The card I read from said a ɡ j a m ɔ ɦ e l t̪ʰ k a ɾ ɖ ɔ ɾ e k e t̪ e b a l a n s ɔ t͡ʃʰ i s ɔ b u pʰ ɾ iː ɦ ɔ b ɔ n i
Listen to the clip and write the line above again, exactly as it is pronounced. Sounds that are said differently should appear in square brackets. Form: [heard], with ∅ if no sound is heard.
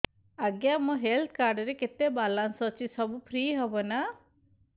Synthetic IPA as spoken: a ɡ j a m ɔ ɦ e l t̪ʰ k a ɾ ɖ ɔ ɾ e k e t̪ e b a l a n s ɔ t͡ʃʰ i s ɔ b u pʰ ɾ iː ɦ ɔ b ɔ n [a]